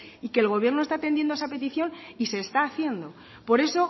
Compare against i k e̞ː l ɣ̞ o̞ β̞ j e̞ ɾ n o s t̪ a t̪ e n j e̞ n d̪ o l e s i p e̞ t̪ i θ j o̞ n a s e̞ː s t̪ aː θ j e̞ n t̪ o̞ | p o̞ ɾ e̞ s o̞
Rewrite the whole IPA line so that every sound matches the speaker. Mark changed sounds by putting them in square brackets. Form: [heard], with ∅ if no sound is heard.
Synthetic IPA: i k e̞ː l ɣ̞ o̞ β̞ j e̞ ɾ n o s t̪ a t̪ e n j e̞ n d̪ o [∅] e s [a] p e̞ t̪ i θ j o̞ n [i] s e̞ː s t̪ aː θ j e̞ n [d̪] o̞ | p o̞ ɾ e̞ s o̞